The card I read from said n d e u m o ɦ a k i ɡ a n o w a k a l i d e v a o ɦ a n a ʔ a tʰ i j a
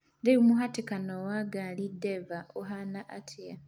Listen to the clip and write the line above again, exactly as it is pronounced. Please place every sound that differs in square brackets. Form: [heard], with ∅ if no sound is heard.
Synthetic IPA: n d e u m [u] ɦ a [t] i [k] a n o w a [ɡ] a l i d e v a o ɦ a n a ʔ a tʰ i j a